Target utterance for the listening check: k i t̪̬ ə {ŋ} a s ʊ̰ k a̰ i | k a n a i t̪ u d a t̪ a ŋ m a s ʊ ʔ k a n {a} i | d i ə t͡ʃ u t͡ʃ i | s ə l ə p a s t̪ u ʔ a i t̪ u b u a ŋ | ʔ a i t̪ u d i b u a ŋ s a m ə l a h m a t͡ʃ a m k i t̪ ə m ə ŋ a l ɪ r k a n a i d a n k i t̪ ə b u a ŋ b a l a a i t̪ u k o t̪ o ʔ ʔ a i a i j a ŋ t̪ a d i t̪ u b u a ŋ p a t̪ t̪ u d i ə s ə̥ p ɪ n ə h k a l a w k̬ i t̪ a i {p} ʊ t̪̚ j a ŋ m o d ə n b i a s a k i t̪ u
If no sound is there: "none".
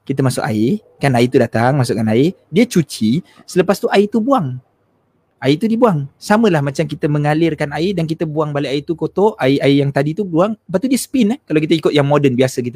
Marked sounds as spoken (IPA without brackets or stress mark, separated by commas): m, a, k